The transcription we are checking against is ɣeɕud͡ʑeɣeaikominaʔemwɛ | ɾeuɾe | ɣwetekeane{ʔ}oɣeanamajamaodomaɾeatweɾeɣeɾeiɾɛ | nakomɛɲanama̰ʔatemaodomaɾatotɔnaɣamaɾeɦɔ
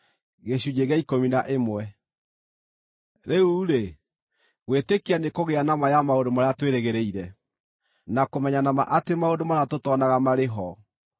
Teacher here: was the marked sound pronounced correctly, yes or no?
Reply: no